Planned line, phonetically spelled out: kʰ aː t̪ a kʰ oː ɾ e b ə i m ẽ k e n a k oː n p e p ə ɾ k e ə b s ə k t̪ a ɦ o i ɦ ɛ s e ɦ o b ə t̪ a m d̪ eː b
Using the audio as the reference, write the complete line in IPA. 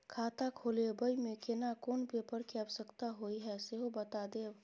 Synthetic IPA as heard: kʰ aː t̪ a kʰ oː l e b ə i m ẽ k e n a k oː n p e p ə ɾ k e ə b s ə k t̪ a ɦ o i ɦ ɛ s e ɦ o b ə t̪ a d̪ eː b